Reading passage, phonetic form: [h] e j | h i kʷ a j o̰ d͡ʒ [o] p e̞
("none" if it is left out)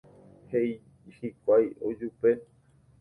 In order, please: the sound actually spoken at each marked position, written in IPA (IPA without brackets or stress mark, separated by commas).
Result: h, u